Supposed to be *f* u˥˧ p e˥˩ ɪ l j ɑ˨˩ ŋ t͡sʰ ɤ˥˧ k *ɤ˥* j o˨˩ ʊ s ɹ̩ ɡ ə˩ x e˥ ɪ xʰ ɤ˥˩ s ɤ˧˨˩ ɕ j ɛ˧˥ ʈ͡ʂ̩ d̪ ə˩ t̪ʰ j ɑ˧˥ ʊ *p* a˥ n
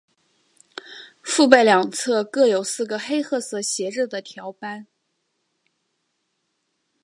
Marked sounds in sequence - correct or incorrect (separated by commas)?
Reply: correct, incorrect, correct